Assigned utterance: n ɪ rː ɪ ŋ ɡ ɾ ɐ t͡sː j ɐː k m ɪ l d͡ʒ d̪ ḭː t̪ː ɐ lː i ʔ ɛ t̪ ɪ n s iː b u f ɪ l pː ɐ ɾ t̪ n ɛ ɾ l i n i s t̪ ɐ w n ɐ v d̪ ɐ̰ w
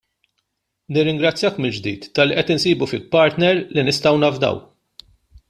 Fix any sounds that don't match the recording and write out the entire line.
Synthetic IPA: n ɪ rː ɪ ŋ ɡ ɾ ɐ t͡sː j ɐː k m ɪ l d͡ʒ d̪ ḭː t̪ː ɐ lː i ʔ ɛ t̪ ɪ n s iː b u f ɪ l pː ɐ ɾ t̪ n ɛ ɾ l i n ɪ s t̪ ɐ w n ɐ v d̪ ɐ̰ w